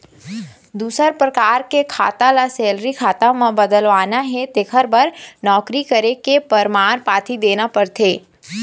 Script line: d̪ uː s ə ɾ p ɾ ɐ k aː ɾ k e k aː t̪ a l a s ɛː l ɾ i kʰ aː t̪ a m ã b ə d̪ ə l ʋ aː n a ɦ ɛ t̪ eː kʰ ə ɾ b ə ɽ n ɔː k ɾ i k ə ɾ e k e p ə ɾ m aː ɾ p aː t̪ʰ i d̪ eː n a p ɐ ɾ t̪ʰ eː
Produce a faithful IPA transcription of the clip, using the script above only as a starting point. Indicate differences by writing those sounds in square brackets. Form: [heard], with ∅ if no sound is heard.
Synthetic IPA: d̪ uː s ə ɾ p ɾ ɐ k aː ɾ k e [kʰ] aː t̪ a l a s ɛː l ɾ i kʰ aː t̪ a m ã b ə d̪ ə l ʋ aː n a ɦ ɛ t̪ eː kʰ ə ɾ b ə [ɾ] n ɔː k ɾ i k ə ɾ e k e p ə ɾ m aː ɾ p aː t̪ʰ i d̪ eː n a p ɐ ɾ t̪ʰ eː